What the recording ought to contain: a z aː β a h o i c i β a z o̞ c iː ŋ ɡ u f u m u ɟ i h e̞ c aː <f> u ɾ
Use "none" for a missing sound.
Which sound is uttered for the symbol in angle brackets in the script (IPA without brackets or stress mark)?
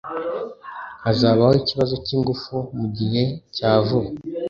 v